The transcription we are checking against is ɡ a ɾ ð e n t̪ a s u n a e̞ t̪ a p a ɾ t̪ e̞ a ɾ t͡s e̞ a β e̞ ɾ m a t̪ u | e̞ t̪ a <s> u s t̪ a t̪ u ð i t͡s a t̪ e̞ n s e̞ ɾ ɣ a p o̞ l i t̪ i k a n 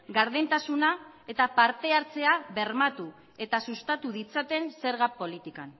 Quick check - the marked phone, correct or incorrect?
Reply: correct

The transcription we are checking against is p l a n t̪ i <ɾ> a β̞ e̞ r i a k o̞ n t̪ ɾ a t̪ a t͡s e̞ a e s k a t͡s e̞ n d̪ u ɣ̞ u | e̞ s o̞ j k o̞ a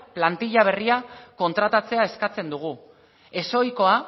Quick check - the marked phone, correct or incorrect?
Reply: incorrect: ʎ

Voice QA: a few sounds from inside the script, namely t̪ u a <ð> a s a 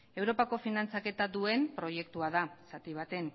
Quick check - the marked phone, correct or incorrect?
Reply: correct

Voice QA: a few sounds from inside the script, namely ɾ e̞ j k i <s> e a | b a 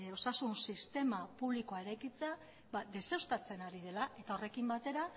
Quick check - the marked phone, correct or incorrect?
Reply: incorrect: t͡s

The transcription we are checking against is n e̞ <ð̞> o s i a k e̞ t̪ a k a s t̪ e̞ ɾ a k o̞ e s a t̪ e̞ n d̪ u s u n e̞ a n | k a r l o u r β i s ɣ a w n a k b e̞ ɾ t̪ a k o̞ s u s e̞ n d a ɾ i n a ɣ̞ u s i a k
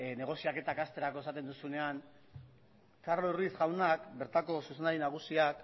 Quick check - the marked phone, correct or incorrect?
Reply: incorrect: ɣ̞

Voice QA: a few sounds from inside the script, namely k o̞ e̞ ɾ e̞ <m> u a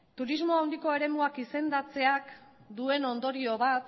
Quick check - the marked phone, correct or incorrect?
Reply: correct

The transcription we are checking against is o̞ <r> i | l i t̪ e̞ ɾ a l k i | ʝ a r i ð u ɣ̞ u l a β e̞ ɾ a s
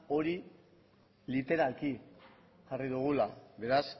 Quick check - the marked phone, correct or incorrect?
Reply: incorrect: ɾ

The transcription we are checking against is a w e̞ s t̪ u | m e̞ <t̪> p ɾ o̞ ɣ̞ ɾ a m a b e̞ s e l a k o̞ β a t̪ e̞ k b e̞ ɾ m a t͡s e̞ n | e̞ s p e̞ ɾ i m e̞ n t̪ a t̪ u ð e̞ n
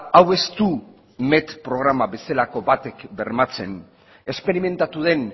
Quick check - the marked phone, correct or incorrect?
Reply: correct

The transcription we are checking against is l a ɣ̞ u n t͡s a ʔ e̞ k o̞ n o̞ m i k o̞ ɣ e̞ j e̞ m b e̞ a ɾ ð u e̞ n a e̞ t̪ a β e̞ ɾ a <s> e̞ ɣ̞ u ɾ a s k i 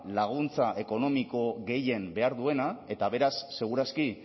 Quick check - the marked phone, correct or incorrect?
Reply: incorrect: sː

